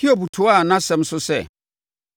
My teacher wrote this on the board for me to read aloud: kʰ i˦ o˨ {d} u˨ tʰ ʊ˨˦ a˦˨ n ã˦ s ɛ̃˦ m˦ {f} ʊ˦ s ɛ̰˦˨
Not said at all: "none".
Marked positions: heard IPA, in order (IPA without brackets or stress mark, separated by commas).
b, s